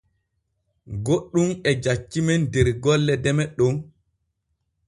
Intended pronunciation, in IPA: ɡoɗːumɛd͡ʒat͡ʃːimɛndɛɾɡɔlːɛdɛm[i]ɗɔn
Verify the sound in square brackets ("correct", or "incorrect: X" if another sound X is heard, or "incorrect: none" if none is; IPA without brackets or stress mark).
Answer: incorrect: ɛ